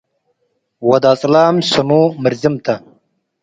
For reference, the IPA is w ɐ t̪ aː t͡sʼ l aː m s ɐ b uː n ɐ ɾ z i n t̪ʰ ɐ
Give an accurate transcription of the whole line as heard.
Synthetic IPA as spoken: w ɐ d̪ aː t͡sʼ l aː m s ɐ m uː m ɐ ɾ z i m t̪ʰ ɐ